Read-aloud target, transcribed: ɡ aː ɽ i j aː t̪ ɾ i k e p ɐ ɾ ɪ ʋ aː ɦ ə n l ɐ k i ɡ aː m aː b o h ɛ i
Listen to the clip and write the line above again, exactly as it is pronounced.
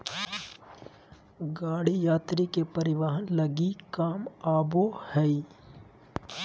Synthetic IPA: ɡ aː ɽ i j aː t̪ ɾ i k e p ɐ ɾ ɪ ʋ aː ɦ ə n l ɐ ɡ i k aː m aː b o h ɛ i